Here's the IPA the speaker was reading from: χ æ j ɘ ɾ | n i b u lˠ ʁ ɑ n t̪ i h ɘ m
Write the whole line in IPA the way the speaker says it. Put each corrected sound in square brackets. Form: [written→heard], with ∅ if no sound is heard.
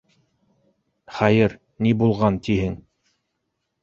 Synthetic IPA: χ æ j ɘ ɾ | n i b u lˠ ʁ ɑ n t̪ i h ɘ [m→ŋ]